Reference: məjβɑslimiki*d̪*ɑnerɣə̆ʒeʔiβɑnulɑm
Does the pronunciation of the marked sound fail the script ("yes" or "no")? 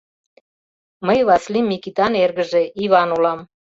yes